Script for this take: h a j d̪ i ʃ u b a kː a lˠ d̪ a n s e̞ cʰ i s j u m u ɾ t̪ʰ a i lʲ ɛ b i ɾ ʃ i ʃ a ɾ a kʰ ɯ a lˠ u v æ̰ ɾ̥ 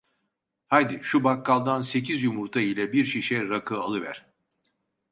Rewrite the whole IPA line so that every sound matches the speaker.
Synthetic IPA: h a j d̪ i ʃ u b a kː a lˠ d̪ a n s e̞ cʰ i z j u m u ɾ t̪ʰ a i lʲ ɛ b i ɾ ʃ i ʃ ɛ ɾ a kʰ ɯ a lˠ ɯ v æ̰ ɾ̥